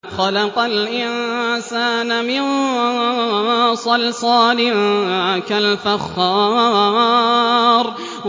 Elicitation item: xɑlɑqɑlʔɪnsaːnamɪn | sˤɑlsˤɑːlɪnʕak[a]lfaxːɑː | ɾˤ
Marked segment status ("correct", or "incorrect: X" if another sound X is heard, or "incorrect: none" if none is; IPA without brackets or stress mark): correct